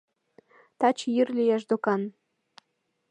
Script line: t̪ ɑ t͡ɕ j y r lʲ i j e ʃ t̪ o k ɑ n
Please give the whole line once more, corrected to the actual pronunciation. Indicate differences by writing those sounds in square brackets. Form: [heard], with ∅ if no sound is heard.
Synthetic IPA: t̪ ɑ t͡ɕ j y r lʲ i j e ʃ [d̪] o k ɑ n